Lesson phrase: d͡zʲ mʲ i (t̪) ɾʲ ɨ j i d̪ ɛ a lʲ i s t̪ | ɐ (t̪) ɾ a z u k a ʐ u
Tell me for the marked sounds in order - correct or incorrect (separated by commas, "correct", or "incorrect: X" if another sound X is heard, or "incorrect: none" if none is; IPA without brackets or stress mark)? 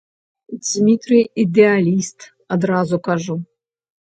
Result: correct, incorrect: d̪